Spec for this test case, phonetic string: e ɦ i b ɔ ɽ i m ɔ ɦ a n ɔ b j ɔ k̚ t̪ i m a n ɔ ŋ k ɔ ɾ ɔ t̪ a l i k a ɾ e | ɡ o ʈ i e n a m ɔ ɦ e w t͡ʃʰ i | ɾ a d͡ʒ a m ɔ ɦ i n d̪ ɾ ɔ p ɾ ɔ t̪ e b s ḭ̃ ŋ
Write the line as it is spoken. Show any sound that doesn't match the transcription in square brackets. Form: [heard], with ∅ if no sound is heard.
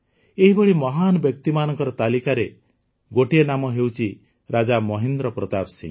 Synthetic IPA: e ɦ i b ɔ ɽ i m ɔ ɦ a n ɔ b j ɔ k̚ t̪ i m a n ɔ ŋ k ɔ ɾ ɔ t̪ a l i k a ɾ e | ɡ o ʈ i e n a m ɔ ɦ e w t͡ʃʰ i | ɾ a d͡ʒ a m ɔ ɦ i n d̪ ɾ ɔ p ɾ ɔ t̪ [a] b s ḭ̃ ŋ